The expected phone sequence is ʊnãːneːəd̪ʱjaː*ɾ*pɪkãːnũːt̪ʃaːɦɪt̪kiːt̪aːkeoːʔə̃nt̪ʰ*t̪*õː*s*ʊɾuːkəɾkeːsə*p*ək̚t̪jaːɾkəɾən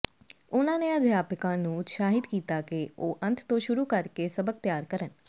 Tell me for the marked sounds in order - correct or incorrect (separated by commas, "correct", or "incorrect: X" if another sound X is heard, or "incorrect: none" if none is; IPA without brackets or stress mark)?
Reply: incorrect: none, correct, incorrect: ʃ, incorrect: b